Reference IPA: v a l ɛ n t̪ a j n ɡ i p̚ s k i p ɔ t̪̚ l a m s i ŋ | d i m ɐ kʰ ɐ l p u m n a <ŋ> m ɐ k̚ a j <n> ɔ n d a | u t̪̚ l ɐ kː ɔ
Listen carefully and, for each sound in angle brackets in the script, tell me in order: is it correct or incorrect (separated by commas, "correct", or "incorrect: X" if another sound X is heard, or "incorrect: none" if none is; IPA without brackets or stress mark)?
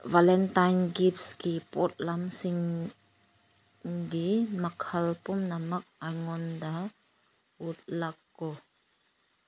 incorrect: none, incorrect: ŋ